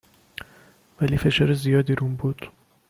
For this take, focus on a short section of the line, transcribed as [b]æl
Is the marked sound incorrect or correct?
incorrect